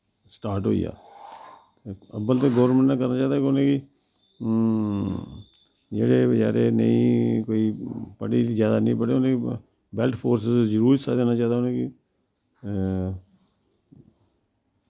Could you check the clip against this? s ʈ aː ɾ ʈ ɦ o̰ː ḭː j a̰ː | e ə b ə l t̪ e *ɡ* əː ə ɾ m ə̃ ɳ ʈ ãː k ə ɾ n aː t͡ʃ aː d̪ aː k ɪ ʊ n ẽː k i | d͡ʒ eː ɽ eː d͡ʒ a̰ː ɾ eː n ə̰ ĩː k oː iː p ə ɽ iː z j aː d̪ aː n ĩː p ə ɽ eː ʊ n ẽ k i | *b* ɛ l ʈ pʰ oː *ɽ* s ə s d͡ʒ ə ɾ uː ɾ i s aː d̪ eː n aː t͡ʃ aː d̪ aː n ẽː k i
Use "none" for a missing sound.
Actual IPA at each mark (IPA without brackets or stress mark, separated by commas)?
ɡ, b, ɾ